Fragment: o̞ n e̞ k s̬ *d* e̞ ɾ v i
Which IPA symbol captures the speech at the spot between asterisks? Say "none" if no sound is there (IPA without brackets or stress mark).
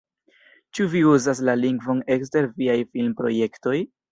t